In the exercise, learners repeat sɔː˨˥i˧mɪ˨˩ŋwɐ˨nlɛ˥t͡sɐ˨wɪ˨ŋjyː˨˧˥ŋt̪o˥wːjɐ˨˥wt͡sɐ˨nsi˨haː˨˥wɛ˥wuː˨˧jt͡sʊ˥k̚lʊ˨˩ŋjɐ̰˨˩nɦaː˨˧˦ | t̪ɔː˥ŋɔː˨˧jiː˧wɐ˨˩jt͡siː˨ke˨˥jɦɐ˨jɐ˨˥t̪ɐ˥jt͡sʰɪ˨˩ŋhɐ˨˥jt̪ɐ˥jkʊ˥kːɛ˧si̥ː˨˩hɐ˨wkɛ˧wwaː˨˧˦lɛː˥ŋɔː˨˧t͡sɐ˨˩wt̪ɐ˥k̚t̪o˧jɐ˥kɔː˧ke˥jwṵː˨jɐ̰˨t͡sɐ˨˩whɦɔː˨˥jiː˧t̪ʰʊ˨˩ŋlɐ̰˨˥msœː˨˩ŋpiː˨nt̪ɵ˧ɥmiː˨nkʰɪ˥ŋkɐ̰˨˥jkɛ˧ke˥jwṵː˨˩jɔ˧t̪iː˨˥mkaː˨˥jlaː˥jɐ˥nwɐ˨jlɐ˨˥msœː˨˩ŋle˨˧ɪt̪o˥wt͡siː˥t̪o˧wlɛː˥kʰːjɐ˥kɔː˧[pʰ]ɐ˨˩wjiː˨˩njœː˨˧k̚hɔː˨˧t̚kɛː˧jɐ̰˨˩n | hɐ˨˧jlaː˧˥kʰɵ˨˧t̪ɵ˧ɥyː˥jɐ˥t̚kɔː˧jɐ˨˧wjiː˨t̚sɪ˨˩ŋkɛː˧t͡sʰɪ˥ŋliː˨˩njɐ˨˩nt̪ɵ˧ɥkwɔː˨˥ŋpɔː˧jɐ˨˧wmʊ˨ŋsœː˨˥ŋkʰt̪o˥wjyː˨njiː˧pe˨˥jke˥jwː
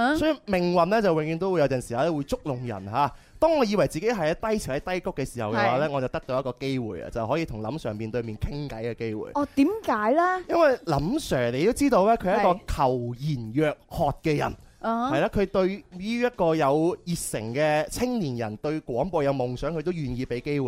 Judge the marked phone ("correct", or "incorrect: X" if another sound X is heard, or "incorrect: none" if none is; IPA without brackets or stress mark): incorrect: kʰ